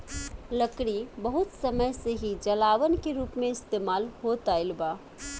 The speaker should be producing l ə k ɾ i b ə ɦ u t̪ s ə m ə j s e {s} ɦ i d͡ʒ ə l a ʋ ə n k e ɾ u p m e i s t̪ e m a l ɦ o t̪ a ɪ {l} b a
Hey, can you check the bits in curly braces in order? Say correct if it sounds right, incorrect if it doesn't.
incorrect: none, correct

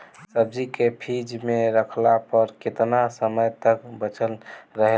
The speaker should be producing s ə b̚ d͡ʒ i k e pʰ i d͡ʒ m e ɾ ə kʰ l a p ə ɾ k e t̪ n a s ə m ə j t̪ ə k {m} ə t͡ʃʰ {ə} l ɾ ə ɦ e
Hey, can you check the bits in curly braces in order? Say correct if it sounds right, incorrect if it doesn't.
incorrect: b, correct

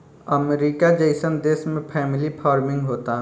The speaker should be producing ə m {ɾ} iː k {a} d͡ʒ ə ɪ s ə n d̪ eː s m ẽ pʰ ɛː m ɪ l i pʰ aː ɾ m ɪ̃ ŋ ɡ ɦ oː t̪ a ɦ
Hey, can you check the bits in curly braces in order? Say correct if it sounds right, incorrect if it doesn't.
correct, correct

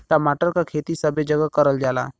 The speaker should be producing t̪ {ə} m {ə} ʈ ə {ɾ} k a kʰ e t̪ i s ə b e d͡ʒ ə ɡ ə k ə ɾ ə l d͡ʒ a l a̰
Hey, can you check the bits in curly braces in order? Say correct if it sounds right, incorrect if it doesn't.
incorrect: a, incorrect: a, correct

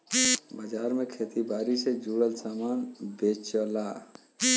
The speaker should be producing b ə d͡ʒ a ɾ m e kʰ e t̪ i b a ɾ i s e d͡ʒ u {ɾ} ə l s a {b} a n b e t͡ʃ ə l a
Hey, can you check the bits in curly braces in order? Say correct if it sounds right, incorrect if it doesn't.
incorrect: ɽ, incorrect: m

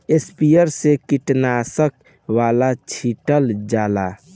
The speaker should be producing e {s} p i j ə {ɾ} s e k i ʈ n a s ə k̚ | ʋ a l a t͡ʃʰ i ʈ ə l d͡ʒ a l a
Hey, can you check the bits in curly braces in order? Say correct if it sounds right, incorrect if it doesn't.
correct, correct

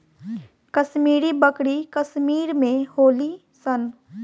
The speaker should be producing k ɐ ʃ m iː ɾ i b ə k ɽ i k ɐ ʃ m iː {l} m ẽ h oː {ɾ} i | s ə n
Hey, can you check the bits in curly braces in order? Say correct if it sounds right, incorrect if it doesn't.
incorrect: ɾ, incorrect: l

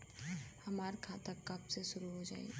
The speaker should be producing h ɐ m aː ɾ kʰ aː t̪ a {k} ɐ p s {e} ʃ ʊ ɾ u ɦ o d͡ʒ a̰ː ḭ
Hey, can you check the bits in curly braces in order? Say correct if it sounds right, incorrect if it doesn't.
correct, correct

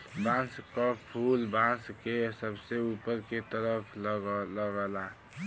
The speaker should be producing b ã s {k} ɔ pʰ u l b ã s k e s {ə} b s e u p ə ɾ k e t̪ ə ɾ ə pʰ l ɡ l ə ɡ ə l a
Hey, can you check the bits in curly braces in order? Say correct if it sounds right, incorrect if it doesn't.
correct, correct

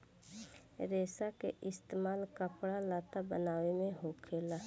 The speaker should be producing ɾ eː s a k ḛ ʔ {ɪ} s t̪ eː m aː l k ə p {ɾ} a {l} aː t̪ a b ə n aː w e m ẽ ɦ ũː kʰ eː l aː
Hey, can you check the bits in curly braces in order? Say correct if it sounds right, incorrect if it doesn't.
correct, incorrect: ɽ, correct

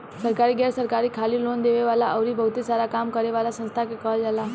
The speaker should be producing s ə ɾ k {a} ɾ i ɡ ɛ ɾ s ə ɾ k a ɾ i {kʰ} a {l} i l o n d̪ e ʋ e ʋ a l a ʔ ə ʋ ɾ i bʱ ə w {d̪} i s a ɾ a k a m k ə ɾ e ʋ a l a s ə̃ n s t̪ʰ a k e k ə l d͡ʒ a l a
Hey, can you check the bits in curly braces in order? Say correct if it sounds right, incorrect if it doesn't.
correct, correct, correct, incorrect: t̪

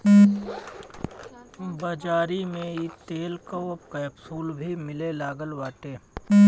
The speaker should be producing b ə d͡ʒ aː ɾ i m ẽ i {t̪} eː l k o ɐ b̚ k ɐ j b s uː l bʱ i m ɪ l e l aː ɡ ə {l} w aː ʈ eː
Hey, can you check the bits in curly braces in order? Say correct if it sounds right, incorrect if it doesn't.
correct, correct

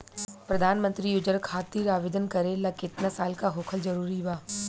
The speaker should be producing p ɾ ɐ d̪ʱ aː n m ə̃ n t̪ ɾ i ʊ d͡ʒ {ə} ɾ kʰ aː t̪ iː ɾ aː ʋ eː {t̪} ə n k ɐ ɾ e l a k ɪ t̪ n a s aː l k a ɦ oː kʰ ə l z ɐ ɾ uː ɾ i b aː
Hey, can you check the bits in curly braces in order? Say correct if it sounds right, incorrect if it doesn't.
correct, incorrect: d̪

